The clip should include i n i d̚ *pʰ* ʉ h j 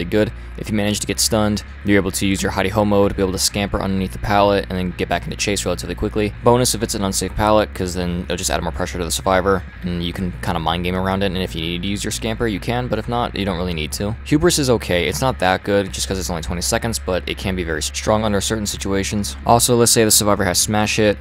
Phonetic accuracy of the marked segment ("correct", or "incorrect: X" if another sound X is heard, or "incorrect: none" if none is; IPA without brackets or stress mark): incorrect: tʰ